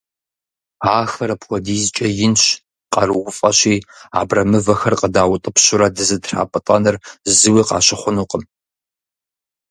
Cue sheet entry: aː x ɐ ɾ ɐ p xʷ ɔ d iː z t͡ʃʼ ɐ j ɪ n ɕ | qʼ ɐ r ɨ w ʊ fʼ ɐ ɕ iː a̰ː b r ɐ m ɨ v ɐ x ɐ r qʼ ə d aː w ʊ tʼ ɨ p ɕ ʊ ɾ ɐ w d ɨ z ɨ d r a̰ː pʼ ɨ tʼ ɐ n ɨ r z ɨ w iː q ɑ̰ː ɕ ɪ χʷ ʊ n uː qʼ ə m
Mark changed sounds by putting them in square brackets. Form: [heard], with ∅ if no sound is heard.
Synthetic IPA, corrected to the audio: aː x ɐ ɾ ɐ p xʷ ɔ d iː z t͡ʃʼ ɐ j ɪ n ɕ | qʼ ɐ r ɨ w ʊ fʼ ɐ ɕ iː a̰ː b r ɐ m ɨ v ɐ x ɐ r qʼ ə d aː w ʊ tʼ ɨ p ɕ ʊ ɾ ɐ [∅] d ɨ z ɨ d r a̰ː pʼ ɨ tʼ ɐ n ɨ r z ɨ w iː q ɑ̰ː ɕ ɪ χʷ ʊ n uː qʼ ə m

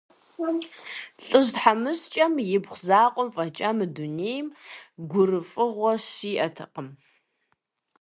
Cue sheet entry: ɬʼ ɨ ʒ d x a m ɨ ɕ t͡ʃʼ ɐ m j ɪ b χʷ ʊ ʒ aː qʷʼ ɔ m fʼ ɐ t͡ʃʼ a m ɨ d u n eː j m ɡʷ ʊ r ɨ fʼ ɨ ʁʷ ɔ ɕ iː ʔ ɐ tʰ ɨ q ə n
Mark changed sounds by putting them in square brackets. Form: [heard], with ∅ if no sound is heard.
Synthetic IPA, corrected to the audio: ɬʼ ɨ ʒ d [ħ] a m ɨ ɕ t͡ʃʼ ɐ m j ɪ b χʷ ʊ [z] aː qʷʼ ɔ m fʼ ɐ t͡ʃʼ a m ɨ d u n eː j m ɡʷ ʊ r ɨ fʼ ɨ ʁʷ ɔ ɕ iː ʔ ɐ tʰ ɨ q ə [m]

